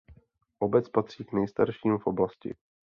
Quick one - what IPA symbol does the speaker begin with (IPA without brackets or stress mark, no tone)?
ʔ